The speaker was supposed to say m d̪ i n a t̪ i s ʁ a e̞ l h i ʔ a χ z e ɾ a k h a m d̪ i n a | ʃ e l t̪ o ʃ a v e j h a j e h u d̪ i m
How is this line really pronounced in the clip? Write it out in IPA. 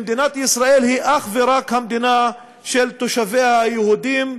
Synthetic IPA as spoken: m d̪ i n a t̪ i s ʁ a e̞ l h i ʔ a χ v e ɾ a k h a m d̪ i n a | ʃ e l t̪ o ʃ a v e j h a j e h u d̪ i m